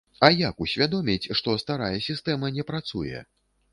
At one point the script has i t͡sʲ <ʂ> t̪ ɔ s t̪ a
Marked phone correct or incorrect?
correct